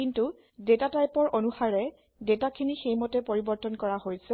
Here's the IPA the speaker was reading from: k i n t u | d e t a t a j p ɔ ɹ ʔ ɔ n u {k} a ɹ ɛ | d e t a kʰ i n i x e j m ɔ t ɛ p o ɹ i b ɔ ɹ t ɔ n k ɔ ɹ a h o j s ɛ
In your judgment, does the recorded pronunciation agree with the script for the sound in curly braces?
no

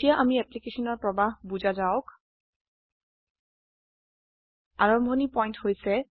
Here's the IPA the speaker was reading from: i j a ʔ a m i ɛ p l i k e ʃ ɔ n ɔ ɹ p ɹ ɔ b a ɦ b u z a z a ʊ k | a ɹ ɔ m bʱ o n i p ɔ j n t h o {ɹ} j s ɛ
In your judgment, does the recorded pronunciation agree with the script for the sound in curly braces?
no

